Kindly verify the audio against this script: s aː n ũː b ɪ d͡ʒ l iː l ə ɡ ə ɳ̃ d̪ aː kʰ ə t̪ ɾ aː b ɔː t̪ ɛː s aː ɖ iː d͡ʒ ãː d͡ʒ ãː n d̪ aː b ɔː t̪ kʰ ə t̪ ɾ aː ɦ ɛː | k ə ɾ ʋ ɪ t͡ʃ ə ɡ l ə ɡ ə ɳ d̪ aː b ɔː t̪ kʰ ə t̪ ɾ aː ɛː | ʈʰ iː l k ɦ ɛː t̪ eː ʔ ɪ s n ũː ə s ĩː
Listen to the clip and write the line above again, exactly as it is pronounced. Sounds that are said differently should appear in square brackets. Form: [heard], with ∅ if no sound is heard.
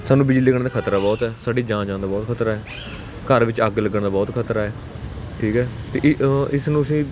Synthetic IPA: s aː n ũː b ɪ d͡ʒ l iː l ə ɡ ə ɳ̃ d̪ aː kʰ ə t̪ ɾ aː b ɔː t̪ ɛː s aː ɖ iː d͡ʒ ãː d͡ʒ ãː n d̪ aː b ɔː t̪ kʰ ə t̪ ɾ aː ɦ ɛː | k ə ɾ ʋ ɪ t͡ʃ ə ɡ l ə ɡ ə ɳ d̪ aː b ɔː t̪ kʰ ə t̪ ɾ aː ɛː | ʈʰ iː [∅] k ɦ ɛː t̪ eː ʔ ɪ s n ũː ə s ĩː

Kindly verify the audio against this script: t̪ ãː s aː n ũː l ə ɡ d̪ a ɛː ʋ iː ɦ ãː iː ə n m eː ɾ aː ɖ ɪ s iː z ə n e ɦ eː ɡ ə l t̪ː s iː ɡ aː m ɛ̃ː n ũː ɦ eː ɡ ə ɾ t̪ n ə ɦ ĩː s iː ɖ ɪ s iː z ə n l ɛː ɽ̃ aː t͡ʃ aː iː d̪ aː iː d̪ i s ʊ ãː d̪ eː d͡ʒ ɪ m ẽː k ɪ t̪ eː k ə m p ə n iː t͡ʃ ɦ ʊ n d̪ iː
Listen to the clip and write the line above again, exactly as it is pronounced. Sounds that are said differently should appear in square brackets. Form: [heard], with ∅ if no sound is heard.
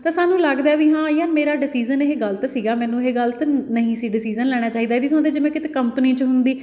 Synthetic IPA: t̪ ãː s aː n ũː l ə ɡ d̪ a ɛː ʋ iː ɦ ãː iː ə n m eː ɾ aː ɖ ɪ s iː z ə n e ɦ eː ɡ ə l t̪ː s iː ɡ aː m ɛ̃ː n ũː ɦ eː ɡ ə [l] t̪ n ə ɦ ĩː s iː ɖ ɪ s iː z ə n l ɛː ɽ̃ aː t͡ʃ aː iː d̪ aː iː d̪ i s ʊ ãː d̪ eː d͡ʒ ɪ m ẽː k ɪ t̪ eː k ə m p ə n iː t͡ʃ ɦ ʊ n d̪ iː

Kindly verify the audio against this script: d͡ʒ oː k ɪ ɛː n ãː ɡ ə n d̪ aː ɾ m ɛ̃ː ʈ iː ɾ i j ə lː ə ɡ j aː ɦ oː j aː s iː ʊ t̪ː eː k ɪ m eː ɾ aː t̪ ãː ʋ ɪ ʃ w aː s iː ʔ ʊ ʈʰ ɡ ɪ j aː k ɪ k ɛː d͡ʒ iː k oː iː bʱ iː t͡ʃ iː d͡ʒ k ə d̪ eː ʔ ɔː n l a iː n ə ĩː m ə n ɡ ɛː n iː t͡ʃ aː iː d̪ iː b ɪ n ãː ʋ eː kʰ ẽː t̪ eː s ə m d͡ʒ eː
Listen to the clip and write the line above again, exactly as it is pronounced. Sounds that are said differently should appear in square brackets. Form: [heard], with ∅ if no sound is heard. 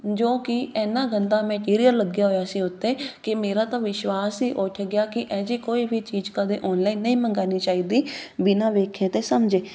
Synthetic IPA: d͡ʒ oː k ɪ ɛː n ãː ɡ ə n d̪ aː [∅] m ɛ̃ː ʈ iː ɾ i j ə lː ə ɡ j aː ɦ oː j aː s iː ʊ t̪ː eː k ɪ m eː ɾ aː t̪ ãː ʋ ɪ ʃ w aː s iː ʔ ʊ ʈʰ ɡ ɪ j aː k ɪ [ʔ] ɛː d͡ʒ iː k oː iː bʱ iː t͡ʃ iː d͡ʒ k ə d̪ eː ʔ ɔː n l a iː n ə ĩː m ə [ŋ] ɡ [aː] n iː t͡ʃ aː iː d̪ iː b ɪ n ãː ʋ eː kʰ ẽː t̪ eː s ə m d͡ʒ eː

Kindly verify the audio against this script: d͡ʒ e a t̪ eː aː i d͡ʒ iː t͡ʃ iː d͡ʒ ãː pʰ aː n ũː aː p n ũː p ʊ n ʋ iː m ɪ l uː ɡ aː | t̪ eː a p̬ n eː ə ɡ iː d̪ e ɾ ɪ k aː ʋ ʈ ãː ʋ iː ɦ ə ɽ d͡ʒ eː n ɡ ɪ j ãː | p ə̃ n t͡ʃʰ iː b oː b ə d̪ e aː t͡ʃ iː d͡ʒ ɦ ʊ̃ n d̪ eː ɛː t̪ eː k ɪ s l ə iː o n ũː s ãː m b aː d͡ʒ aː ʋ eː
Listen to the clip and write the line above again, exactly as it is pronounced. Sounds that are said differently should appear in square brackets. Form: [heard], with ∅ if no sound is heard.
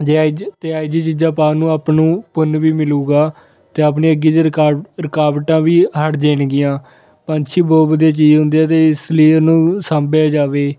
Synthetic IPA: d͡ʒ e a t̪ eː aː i d͡ʒ iː t͡ʃ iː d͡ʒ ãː [p] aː n ũː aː p n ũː p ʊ n ʋ iː m ɪ l uː ɡ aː | t̪ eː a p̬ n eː ə ɡ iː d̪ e ɾ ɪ k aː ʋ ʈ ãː ʋ iː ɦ ə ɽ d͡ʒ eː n ɡ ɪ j ãː | p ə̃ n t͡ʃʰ iː b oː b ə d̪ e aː t͡ʃ iː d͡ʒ ɦ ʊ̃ n d̪ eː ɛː t̪ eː [∅] ɪ s l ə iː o n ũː s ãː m b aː d͡ʒ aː ʋ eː

